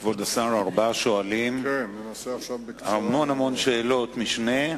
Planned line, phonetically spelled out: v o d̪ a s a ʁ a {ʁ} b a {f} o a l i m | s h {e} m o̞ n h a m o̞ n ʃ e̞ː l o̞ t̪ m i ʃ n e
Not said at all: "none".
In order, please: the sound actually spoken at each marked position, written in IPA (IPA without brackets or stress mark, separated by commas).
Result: ʁ, ʃ, a